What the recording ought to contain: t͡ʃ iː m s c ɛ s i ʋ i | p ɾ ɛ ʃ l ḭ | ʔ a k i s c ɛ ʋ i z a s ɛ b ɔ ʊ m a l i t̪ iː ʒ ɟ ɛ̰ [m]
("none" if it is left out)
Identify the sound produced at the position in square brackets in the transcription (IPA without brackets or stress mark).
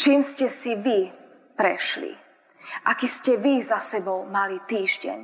ɲ